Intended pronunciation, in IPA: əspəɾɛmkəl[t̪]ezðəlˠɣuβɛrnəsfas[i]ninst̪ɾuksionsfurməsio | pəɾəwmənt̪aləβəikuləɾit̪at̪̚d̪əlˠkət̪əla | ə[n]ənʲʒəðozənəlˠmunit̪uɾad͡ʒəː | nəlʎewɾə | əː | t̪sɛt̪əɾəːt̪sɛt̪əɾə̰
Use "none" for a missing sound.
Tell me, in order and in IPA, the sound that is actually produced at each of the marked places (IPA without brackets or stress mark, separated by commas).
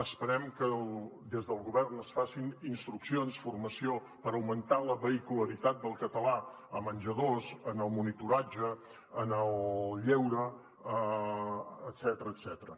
d̪, i, m